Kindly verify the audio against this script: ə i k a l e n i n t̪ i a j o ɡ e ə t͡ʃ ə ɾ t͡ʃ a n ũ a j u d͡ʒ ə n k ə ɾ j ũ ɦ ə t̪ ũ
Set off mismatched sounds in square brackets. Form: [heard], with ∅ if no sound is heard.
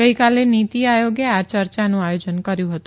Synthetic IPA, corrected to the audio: ə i k a l e n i [∅] t̪ i a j o ɡ e [a] t͡ʃ ə ɾ t͡ʃ a n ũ a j [o] d͡ʒ ə n k ə ɾ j ũ ɦ ə t̪ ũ